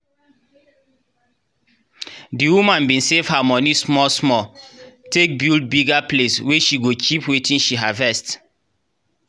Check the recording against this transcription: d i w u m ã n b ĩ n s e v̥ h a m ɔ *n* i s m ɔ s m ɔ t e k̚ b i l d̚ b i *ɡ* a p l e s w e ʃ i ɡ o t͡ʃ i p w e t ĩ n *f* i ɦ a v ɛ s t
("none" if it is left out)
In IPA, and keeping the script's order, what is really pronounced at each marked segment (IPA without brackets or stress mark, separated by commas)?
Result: n, ɡ, ʃ